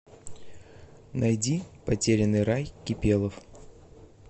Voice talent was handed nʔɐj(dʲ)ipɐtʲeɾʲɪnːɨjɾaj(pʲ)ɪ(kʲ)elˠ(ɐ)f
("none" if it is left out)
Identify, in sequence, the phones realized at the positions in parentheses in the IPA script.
dʲ, kʲ, pʲ, ə

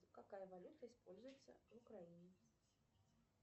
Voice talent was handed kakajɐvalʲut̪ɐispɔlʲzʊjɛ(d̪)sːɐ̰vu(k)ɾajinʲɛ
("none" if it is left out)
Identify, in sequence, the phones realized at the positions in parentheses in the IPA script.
t̪, k

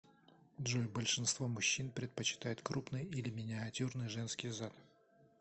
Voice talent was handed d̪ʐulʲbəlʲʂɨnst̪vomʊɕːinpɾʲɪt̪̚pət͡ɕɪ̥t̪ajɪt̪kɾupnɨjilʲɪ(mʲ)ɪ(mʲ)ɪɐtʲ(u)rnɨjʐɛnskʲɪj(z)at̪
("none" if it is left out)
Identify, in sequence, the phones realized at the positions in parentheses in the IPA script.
mʲ, nʲ, u, z

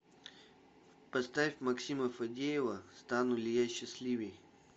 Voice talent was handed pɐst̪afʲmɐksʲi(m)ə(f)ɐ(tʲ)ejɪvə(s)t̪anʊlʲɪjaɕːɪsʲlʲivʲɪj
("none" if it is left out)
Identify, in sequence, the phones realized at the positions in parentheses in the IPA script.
m, f, dʲ, s

